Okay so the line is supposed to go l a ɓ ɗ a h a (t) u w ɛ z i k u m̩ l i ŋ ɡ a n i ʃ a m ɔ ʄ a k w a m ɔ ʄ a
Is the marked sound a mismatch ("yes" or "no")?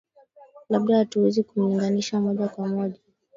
no